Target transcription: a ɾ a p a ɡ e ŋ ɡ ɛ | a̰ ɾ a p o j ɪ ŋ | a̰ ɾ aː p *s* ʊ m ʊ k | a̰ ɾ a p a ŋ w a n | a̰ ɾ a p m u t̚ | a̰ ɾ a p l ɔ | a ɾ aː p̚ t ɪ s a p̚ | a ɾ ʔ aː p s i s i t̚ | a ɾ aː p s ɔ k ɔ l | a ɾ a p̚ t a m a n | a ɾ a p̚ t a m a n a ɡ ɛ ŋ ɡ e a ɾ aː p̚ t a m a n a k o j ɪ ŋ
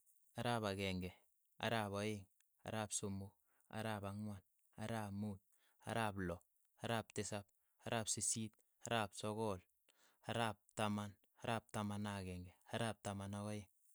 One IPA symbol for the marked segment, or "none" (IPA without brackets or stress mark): s